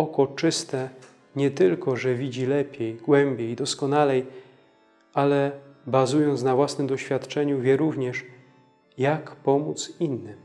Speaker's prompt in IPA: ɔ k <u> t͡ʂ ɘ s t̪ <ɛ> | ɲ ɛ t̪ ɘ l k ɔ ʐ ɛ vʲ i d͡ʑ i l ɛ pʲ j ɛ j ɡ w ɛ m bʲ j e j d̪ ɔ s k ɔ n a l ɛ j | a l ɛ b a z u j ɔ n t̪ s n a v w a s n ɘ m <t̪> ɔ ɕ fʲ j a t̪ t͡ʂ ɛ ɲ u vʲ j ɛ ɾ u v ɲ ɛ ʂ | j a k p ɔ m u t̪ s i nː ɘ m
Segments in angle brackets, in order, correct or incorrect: incorrect, correct, incorrect

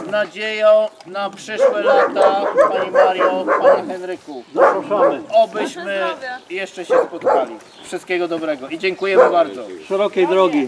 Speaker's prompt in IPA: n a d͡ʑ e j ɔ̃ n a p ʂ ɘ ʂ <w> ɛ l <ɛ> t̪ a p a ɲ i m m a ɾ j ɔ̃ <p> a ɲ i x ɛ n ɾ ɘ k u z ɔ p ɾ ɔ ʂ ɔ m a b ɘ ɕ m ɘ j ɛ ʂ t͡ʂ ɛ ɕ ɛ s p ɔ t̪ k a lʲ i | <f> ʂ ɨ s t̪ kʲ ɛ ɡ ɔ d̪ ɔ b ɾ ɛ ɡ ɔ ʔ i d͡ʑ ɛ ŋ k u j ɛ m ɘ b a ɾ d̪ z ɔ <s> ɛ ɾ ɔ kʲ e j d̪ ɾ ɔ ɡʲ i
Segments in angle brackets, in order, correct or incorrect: correct, incorrect, correct, correct, incorrect

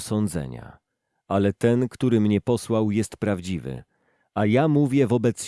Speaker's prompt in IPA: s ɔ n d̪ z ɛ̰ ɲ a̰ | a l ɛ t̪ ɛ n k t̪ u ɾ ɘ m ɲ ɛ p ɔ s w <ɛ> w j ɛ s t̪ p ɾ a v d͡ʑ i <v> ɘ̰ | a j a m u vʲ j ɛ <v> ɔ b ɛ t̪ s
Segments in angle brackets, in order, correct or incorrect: incorrect, correct, correct

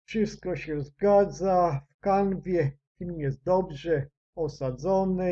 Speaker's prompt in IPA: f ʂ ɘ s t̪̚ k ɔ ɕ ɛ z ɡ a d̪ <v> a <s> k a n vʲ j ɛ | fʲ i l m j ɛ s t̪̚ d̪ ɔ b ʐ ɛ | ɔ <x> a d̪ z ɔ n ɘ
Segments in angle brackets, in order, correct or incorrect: incorrect, incorrect, incorrect

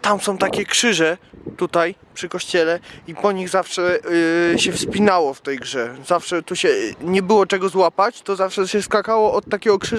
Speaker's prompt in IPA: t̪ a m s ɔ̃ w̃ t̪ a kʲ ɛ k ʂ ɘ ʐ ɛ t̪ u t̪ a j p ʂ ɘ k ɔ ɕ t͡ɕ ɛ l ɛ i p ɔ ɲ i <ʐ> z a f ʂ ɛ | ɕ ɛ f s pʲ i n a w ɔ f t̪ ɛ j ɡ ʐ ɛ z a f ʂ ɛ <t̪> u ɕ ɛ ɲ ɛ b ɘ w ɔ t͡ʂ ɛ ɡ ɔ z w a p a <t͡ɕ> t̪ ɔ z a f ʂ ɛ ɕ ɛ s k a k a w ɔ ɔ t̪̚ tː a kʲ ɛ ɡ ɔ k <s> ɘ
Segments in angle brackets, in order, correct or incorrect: incorrect, correct, correct, incorrect

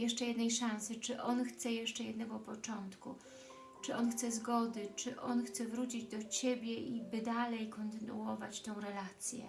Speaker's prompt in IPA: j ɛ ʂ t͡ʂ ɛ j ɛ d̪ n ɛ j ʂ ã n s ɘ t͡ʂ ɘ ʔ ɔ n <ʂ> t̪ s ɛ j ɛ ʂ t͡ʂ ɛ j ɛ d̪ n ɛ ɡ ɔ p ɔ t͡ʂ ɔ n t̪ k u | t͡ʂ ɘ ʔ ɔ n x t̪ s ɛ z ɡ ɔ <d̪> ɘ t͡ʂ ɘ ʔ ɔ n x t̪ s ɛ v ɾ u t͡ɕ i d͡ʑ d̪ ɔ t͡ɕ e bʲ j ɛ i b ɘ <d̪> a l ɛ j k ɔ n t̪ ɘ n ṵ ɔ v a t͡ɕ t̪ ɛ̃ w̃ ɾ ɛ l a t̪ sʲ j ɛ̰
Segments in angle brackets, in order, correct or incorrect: incorrect, correct, correct

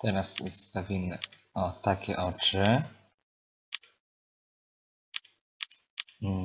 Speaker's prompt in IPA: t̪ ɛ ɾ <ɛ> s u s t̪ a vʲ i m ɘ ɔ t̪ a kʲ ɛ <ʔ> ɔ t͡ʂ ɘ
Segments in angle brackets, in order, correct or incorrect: incorrect, correct

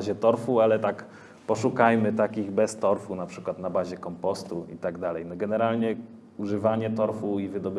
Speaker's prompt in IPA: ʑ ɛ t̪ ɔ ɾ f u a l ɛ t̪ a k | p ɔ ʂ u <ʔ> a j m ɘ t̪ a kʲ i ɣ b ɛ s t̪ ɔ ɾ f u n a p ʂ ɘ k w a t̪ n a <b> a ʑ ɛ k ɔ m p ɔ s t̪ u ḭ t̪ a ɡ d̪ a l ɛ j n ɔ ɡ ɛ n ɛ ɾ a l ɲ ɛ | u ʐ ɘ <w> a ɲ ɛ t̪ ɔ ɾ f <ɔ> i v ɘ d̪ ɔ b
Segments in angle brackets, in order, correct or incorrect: incorrect, correct, incorrect, incorrect

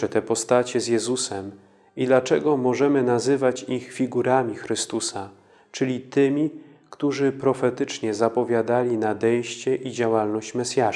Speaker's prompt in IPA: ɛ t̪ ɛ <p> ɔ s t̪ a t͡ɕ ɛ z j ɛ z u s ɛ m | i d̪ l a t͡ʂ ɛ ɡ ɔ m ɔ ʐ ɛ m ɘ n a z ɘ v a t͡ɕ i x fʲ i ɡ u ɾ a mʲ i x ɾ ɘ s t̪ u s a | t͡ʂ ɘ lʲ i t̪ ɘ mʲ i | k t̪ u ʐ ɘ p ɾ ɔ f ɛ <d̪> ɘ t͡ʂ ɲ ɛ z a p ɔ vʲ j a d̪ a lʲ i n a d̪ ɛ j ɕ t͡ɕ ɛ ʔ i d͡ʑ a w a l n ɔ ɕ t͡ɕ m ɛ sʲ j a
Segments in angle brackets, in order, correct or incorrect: correct, incorrect

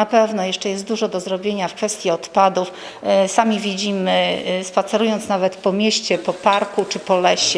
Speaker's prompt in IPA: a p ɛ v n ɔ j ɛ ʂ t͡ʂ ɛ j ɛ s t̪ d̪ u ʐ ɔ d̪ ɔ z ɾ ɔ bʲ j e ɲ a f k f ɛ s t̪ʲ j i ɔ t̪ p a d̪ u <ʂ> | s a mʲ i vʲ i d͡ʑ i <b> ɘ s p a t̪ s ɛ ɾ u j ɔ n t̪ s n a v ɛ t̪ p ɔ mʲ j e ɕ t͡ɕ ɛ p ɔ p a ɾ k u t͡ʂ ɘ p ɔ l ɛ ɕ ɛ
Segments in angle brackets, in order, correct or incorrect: incorrect, incorrect

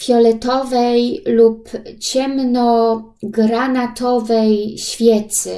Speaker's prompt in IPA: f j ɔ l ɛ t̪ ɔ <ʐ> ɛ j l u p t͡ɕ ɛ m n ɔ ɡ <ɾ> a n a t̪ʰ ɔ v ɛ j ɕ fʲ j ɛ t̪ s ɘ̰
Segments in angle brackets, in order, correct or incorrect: incorrect, correct

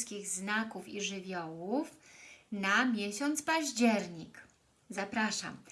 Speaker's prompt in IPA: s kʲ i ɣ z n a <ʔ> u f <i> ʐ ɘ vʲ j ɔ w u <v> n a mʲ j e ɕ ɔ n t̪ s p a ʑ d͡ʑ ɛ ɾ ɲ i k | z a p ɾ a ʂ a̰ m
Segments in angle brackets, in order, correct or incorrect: incorrect, correct, incorrect

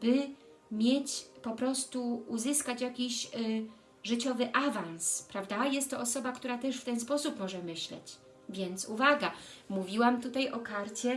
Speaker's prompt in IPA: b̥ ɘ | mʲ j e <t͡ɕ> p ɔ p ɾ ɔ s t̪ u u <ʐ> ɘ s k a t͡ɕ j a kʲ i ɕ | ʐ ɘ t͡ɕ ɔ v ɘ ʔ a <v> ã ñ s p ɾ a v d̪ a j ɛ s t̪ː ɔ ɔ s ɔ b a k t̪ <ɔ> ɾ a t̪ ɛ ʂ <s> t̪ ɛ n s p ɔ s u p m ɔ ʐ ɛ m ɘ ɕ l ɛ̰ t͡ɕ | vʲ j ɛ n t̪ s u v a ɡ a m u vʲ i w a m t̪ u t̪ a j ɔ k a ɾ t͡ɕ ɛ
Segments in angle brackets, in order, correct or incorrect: correct, incorrect, correct, incorrect, incorrect

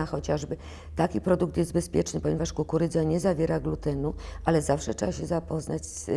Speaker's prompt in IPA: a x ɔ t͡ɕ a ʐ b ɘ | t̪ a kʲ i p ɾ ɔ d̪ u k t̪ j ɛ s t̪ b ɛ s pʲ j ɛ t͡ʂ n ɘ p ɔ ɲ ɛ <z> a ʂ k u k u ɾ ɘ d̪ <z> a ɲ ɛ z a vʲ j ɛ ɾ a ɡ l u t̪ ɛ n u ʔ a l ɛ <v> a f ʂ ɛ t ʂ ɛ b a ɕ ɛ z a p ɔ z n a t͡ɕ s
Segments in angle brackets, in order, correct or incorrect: incorrect, correct, incorrect

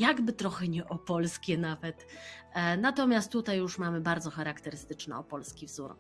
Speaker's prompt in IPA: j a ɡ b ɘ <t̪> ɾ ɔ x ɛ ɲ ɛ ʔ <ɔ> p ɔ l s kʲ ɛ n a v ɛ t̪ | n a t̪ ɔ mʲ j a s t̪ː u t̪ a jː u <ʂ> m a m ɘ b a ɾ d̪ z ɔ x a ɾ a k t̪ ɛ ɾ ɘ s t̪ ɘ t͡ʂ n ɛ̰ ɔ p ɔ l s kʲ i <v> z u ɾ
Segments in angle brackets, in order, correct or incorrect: correct, correct, correct, correct

